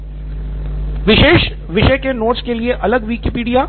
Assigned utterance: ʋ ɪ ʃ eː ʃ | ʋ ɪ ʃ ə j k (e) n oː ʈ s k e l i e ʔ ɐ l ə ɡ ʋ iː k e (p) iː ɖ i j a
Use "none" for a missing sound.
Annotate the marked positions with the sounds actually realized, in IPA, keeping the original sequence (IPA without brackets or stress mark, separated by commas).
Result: e, p